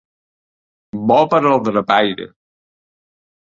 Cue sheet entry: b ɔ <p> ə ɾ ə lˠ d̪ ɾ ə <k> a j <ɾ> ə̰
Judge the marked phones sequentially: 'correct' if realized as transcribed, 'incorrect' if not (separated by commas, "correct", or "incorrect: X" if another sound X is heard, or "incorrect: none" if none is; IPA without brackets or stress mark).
correct, incorrect: p, correct